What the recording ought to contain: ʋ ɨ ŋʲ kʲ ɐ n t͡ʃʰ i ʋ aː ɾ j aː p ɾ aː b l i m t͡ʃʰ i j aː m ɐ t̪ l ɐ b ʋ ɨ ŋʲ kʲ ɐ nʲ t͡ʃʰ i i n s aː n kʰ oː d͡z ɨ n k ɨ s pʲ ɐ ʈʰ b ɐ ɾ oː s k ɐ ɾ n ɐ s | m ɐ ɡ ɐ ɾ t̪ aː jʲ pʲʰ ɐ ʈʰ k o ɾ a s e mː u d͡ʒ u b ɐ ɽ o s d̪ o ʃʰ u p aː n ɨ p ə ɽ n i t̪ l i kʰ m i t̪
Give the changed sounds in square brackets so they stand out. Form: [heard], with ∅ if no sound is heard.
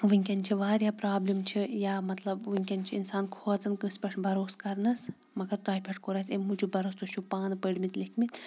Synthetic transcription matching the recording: ʋ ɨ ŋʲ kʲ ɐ n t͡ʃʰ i ʋ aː ɾ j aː p ɾ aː b l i m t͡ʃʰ i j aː m ɐ t̪ l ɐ b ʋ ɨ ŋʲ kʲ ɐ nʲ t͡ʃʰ i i n s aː n kʰ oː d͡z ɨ n k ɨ s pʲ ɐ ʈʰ b ɐ ɾ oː s k ɐ ɾ n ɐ s | m ɐ ɡ ɐ ɾ t̪ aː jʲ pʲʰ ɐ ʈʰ k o ɾ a s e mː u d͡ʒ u b ɐ [ɾ] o s [t̪] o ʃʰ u p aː n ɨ p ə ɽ [m] i t̪ l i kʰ m i t̪